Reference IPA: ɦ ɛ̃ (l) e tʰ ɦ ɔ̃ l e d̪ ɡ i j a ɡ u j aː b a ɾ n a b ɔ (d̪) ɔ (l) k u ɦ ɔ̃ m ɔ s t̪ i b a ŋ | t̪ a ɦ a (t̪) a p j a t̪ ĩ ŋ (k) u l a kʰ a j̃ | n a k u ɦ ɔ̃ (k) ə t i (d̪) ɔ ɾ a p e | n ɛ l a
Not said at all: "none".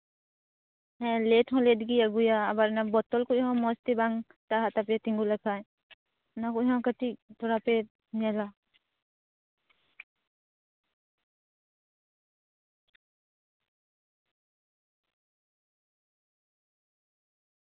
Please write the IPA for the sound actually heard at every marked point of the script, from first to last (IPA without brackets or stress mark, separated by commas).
l, t̪, l, t̪, ɡ, k, t̪